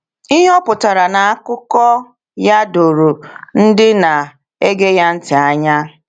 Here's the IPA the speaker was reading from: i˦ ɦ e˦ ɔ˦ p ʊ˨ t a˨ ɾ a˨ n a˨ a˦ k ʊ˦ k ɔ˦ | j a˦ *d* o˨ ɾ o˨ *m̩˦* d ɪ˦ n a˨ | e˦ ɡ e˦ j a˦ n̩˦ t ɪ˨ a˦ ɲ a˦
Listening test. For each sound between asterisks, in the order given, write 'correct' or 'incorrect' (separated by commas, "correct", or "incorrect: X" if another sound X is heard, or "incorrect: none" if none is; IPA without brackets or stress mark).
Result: correct, incorrect: n̩˦